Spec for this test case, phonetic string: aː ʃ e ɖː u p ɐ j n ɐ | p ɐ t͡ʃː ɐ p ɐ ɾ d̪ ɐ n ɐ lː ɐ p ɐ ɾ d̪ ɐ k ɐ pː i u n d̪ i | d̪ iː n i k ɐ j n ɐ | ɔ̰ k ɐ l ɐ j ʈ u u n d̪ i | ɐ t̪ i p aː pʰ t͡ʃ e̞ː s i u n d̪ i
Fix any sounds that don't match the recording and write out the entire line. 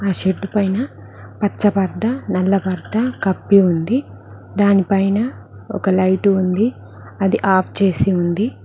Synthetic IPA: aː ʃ e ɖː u p ɐ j n ɐ | p ɐ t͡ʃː ɐ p ɐ ɾ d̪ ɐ n ɐ lː ɐ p ɐ ɾ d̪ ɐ k ɐ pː i u n d̪ i | d̪ aː n i p ɐ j n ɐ | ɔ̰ k ɐ l ɐ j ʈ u u n d̪ i | ɐ d̪ i ʔ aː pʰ t͡ʃ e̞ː s i u n d̪ i